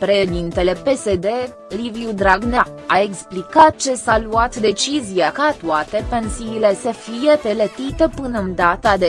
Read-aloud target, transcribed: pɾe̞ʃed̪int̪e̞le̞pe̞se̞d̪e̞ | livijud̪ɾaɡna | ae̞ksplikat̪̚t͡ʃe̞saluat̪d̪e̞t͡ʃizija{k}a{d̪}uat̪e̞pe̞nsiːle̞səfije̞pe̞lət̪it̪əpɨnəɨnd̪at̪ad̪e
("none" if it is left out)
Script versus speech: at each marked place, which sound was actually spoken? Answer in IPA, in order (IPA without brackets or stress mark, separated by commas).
k, t̪